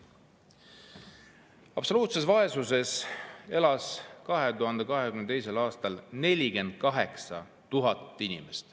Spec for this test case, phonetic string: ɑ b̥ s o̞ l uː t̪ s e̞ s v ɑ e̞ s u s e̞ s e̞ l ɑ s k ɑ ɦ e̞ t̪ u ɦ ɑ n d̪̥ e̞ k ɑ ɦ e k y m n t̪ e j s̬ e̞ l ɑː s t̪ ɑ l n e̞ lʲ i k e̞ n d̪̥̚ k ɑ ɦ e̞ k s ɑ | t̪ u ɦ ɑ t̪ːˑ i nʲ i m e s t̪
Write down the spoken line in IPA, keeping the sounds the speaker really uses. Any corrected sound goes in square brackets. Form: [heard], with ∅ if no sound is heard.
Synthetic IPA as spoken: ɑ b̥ s o̞ l uː t̪ s e̞ s v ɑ e̞ s u s e̞ s e̞ l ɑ s k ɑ ɦ e̞ t̪ u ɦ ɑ n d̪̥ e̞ k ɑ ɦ e k y m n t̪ e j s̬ e̞ l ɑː s t̪ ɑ l n e̞ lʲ i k e̞ n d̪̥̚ k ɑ ɦ e̞ k s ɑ | t̪ u ɦ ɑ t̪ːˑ i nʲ i m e s t̪